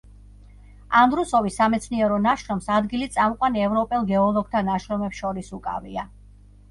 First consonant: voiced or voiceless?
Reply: voiced